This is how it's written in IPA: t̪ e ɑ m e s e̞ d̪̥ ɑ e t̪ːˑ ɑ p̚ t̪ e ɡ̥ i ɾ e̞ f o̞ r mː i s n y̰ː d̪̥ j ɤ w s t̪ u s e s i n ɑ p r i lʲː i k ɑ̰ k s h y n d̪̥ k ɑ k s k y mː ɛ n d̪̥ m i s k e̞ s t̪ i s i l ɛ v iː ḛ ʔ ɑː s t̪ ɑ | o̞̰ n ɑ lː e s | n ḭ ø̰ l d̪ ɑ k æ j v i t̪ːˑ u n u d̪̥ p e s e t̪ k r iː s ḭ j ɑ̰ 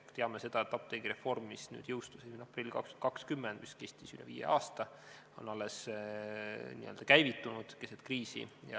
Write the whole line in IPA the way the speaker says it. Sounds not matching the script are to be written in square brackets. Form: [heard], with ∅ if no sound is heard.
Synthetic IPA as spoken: t̪ e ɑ m e s e̞ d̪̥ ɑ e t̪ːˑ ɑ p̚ t̪ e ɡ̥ i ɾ e̞ f o̞ r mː i s n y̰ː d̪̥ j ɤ w s t̪ u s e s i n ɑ p r i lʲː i k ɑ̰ k s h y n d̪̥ k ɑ k s k y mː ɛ n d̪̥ m i s k e̞ s t̪ i s [y] l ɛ v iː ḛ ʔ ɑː s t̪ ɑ | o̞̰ n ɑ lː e s | n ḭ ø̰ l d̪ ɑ k æ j v i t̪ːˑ u n u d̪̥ [k] e s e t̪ k r iː s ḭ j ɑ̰